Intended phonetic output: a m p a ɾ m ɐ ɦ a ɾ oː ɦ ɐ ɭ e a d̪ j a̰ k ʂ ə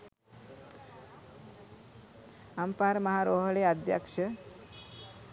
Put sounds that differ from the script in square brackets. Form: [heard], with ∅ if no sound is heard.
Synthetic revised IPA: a m p a ɾ m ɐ ɦ a ɾ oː ɦ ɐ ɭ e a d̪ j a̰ k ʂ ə